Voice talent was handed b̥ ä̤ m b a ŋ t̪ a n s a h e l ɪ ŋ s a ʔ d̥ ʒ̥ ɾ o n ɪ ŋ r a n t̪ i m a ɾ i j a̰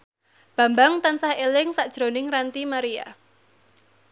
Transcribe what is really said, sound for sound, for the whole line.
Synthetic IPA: b̥ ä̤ m b a ŋ t̪ a n s a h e l ɪ ŋ s a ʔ d̥ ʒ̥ ɾ o n ɪ ŋ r a n t̪ i m a ɾ i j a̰